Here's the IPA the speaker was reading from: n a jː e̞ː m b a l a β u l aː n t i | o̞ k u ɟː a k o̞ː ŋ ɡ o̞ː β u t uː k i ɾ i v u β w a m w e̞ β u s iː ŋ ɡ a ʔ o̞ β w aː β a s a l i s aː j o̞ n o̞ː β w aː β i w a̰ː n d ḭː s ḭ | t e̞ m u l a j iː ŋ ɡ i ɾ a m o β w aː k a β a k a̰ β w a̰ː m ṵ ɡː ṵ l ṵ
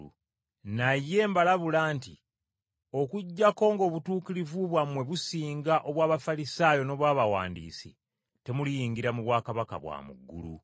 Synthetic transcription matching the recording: n a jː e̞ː m b a l a β u l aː n t i | o̞ k u ɟː a k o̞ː ŋ ɡ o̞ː β u t uː k i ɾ i v u β w a m w e̞ β u s iː ŋ ɡ a ʔ o̞ β w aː β a f a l i s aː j o̞ n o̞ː β w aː β a w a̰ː n d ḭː s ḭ | t e̞ m u l i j iː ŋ ɡ i ɾ a m u β w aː k a β a k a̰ β w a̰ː m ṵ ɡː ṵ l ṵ